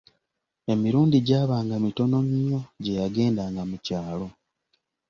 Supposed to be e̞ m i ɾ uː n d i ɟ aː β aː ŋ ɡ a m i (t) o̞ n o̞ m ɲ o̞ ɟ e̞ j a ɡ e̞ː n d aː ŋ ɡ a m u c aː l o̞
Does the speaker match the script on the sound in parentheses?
yes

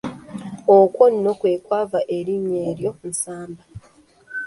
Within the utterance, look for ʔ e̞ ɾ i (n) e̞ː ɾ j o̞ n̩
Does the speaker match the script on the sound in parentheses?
no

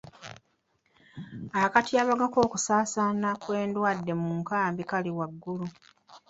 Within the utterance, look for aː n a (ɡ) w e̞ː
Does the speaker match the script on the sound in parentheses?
no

